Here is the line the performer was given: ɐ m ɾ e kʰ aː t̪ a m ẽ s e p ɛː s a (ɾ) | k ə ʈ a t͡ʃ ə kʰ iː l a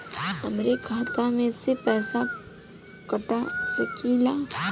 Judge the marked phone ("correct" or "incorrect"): incorrect